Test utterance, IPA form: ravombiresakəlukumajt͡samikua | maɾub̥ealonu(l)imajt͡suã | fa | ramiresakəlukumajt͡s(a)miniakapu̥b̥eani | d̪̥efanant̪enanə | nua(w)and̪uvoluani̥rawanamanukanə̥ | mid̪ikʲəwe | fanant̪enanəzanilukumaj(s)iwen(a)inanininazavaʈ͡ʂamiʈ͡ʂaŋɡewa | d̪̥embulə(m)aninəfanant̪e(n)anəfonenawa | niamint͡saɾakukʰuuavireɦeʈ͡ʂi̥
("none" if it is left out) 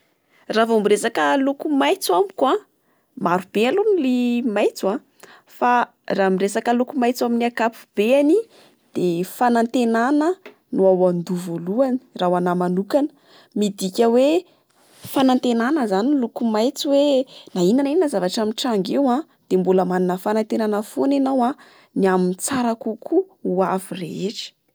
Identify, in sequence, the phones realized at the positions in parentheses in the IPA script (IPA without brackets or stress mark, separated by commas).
l, a, w, t͡s, a, m, n